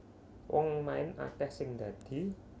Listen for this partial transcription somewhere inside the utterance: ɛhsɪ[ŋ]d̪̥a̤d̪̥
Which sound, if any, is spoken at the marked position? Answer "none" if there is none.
ŋ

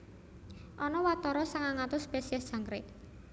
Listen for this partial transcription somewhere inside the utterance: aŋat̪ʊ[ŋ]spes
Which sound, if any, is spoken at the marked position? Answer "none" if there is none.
none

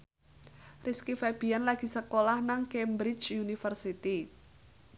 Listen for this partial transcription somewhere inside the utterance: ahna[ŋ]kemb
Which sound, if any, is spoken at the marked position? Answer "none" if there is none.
ŋ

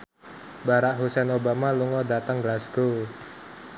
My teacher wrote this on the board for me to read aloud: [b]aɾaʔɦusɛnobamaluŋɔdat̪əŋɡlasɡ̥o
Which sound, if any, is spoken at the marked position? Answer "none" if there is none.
b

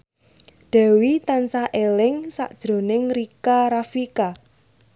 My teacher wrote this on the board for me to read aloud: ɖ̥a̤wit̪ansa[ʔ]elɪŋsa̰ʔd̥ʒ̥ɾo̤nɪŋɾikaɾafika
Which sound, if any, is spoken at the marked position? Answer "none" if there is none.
ʔ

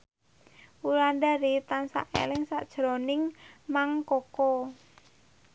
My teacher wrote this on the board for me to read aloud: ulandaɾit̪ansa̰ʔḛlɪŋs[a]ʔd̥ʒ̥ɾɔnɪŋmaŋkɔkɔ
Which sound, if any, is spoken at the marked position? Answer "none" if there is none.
a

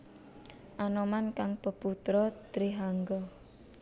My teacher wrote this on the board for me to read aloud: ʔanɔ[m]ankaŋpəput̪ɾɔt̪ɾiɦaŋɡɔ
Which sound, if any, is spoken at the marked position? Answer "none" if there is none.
m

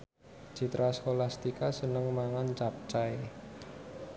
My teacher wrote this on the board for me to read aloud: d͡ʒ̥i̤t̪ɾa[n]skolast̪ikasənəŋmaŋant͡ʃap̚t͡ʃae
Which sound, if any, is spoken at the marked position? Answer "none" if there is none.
none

